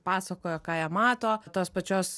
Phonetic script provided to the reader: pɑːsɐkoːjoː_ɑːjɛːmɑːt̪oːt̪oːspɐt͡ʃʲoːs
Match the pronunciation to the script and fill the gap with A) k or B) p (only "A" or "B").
A